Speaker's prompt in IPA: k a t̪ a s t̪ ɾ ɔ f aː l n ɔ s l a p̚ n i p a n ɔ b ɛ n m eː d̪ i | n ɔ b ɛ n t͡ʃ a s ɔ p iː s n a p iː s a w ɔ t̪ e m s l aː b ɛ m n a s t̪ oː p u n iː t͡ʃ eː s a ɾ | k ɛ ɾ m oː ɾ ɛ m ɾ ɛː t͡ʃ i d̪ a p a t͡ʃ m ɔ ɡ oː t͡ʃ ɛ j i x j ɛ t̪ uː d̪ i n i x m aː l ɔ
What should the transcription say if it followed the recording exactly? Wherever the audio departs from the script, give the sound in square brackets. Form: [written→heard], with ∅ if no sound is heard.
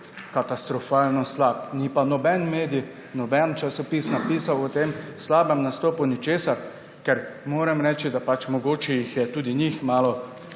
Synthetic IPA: k a t̪ a s t̪ ɾ ɔ f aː l n ɔ s l a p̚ n i p a n ɔ b ɛ n m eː d̪ i | n ɔ b ɛ n t͡ʃ a s ɔ p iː s n a p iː s a w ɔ t̪ e m s l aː b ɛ m n a s t̪ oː p u n [iː→i] t͡ʃ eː s a ɾ | k ɛ ɾ m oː ɾ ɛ m ɾ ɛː t͡ʃ i d̪ a p a t͡ʃ m ɔ ɡ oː t͡ʃ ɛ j i x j ɛ t̪ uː d̪ i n i x m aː l ɔ